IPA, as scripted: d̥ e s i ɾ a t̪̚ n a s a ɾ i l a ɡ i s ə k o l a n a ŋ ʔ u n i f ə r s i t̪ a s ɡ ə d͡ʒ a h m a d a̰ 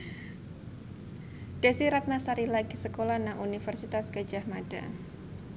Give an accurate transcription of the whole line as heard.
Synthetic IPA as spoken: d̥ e s i ɾ a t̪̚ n a s a ɾ i l a ɡ i s ə k o l a n a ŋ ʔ u n i f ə r s i t̪ a s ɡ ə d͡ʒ a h m a d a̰